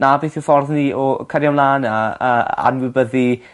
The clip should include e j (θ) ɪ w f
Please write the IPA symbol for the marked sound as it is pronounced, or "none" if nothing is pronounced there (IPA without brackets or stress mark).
θ